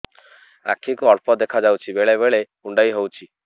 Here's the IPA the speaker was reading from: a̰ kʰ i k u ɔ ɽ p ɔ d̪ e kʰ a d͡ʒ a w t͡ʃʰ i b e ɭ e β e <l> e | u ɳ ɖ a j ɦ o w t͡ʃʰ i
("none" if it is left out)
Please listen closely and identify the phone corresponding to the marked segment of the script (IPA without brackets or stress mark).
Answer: ɭ